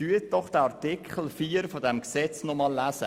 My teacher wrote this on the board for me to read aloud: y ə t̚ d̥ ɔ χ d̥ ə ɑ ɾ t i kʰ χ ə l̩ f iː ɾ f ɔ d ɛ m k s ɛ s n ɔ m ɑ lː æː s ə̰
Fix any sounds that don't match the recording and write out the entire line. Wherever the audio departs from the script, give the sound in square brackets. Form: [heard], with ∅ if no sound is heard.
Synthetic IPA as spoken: y ə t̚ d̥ ɔ χ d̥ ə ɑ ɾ t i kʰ χ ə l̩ f iː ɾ f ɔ d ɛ m k s ɛ [t͡s] n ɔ m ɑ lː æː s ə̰